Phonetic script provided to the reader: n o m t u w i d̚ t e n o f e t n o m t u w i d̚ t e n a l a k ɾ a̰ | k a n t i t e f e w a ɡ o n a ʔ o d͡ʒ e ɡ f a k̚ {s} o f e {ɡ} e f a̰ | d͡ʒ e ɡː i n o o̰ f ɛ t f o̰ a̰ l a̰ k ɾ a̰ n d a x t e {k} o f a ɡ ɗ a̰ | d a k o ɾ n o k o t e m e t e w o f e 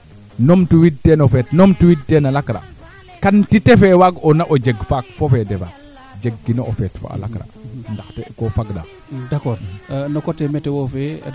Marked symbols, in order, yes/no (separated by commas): no, no, yes